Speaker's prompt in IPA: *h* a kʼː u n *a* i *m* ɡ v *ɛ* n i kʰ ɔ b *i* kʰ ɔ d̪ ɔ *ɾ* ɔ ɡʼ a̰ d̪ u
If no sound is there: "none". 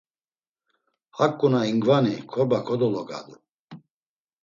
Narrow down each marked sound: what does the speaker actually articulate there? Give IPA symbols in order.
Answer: h, a, ŋ, a, a, l

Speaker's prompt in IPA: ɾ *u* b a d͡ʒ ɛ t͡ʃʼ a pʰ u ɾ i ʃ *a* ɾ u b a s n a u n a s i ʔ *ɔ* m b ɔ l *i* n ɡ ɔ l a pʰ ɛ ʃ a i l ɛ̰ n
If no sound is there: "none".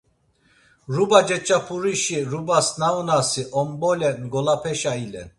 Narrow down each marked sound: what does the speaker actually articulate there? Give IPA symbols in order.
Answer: u, i, ɔ, ɛ

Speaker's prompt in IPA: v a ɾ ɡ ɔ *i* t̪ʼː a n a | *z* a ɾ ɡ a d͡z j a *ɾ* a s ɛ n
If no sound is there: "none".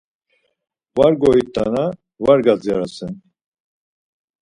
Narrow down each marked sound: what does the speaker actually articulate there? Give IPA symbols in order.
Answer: i, v, ɾ

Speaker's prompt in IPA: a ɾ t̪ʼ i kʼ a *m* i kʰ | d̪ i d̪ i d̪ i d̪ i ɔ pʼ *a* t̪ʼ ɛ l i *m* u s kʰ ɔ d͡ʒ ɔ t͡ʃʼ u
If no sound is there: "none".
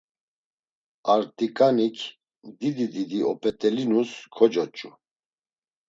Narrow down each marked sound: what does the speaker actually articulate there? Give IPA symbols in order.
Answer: n, ɛ, n

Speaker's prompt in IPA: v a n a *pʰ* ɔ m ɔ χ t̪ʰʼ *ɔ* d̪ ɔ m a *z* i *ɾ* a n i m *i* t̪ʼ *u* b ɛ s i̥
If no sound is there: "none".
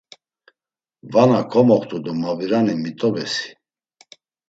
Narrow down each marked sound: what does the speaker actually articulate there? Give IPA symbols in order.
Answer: kʰ, u, v, ɾ, i, ɔ

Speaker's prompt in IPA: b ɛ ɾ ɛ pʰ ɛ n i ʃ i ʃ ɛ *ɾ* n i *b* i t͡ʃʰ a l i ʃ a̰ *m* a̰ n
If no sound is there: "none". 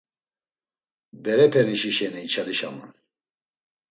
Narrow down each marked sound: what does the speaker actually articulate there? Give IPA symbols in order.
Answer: none, none, m

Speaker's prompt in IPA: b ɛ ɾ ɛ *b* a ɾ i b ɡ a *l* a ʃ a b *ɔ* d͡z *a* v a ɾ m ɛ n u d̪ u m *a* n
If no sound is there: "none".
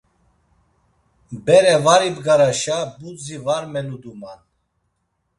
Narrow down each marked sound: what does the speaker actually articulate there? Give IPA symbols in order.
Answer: v, ɾ, u, i, a

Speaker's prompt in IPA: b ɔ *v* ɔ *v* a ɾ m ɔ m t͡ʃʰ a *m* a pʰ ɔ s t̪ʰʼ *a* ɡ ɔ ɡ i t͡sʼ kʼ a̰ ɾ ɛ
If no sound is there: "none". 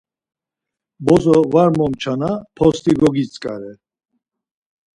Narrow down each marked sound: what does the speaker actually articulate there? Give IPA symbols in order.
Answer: z, v, n, i

